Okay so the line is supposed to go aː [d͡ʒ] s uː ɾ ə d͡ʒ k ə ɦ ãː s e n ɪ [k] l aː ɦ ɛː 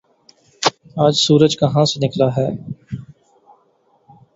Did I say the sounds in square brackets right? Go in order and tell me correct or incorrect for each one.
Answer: correct, correct

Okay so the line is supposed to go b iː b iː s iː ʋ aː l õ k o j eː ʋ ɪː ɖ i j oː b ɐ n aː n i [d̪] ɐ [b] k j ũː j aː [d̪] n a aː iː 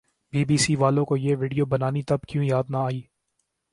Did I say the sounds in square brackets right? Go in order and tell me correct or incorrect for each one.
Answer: incorrect: t̪, correct, correct

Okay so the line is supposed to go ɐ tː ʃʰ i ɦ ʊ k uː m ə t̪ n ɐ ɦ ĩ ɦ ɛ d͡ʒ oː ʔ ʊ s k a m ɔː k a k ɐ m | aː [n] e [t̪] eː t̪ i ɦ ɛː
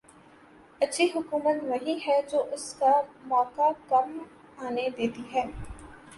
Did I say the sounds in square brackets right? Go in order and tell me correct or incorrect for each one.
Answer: correct, incorrect: d̪

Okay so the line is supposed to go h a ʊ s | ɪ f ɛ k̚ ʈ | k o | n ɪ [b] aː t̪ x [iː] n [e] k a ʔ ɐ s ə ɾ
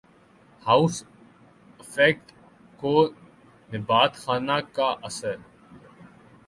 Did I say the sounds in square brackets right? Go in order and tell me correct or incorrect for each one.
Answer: correct, incorrect: aː, incorrect: a

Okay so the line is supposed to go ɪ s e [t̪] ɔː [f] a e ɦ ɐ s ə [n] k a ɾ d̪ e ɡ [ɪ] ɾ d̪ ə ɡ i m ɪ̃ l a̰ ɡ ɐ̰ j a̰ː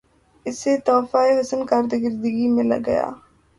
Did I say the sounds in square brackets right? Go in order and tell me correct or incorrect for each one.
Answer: correct, correct, correct, correct

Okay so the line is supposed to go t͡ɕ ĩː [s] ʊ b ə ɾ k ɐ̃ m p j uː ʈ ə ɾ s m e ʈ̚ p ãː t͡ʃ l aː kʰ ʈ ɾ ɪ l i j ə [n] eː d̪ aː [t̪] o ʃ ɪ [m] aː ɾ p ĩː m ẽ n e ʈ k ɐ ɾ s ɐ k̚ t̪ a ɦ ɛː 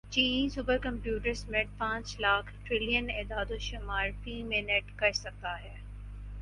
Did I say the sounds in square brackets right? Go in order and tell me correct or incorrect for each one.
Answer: correct, correct, incorrect: d̪, correct

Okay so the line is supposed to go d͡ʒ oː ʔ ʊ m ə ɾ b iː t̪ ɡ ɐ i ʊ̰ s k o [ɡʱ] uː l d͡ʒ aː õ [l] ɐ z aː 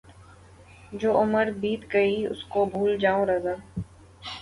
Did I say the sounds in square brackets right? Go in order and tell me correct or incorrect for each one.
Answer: incorrect: bʱ, incorrect: ɾ

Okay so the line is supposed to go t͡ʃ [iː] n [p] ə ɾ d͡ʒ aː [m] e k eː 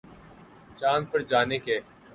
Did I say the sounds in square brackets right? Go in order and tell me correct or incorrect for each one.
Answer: incorrect: aː, correct, incorrect: n

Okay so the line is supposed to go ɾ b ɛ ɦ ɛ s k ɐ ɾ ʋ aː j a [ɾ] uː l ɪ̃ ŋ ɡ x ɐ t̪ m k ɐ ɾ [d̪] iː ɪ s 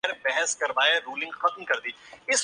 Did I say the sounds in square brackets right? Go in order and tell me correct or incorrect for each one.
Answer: correct, correct

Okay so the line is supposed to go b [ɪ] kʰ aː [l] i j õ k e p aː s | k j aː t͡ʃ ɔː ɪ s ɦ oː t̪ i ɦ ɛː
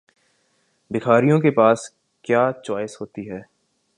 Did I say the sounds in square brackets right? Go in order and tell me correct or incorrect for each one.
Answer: correct, incorrect: ɾ

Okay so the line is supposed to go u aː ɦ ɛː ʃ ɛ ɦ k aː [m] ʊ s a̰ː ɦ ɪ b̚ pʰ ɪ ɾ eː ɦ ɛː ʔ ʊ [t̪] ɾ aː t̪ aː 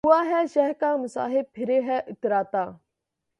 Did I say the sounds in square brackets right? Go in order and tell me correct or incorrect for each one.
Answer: correct, correct

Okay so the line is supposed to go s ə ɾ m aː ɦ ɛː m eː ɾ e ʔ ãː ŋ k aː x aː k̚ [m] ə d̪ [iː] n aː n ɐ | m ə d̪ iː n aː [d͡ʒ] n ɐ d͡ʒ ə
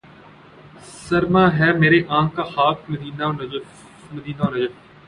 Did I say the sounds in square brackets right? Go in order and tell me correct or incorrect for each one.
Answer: correct, correct, incorrect: none

